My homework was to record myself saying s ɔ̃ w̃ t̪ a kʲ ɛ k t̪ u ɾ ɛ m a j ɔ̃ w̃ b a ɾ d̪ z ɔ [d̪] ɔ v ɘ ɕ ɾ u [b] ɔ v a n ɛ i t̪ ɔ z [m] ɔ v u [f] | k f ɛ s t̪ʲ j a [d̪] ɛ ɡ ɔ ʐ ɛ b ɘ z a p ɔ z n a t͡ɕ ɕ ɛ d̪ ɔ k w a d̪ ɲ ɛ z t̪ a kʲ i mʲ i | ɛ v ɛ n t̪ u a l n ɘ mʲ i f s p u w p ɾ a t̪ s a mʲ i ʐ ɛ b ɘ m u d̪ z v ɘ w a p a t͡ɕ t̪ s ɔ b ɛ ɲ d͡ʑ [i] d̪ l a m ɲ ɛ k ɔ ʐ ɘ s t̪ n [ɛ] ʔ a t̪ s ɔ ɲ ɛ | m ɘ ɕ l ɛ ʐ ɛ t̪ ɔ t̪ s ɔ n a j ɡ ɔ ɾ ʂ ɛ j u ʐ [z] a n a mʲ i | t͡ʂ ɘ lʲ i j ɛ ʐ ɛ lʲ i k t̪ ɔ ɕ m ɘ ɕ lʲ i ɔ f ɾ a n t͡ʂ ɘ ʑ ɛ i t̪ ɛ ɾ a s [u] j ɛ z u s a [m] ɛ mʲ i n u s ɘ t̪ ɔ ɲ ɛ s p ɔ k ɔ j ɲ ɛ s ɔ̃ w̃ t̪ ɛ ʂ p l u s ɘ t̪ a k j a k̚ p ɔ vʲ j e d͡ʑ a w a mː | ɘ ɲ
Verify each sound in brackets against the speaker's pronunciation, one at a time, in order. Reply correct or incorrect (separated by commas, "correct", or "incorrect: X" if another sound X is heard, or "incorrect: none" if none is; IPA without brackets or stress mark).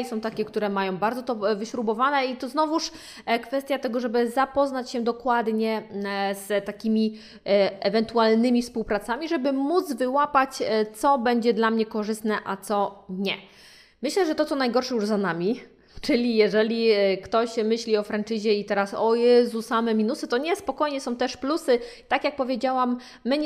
incorrect: t̪, correct, incorrect: n, incorrect: ʂ, incorrect: t̪, incorrect: ɛ, correct, correct, incorrect: ɔ, correct